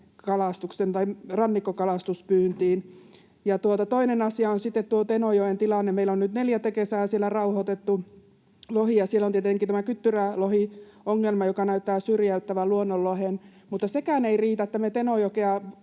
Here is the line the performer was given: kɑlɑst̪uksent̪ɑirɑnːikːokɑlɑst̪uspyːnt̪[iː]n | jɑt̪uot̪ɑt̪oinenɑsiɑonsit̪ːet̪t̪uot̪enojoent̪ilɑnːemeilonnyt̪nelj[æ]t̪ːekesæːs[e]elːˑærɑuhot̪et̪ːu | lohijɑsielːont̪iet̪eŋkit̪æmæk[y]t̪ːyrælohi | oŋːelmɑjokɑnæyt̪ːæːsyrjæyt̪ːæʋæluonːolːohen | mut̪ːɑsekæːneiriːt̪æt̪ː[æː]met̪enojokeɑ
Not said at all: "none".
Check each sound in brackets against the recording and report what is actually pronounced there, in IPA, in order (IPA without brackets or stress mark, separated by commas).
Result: iː, æ, i, y, æ